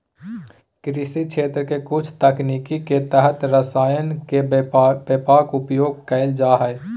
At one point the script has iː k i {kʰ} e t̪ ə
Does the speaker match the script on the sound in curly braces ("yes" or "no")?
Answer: no